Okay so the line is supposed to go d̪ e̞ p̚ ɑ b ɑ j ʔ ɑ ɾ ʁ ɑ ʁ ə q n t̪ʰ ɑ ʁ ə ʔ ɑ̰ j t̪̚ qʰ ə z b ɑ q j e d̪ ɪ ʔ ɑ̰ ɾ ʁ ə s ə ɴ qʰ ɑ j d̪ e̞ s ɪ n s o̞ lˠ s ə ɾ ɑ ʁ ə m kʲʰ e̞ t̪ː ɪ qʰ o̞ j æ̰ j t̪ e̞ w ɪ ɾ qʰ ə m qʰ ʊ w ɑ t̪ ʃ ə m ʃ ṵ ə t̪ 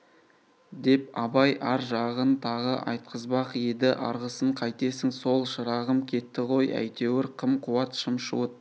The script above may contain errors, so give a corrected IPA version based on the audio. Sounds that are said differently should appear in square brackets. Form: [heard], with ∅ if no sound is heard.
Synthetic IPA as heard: d̪ e̞ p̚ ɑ b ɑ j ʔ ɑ ɾ [ʒ] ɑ ʁ ə [∅] n t̪ʰ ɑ ʁ ə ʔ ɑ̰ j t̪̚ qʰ ə z b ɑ q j e d̪ ɪ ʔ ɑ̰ ɾ ʁ ə s ə ɴ qʰ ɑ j [t̪] e̞ s ɪ [ŋ] s o̞ lˠ [ʃ] ə ɾ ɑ ʁ ə m kʲʰ e̞ t̪ː ɪ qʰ o̞ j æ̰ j t̪ e̞ w ɪ ɾ qʰ ə m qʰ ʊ w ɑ t̪ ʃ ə m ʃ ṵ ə t̪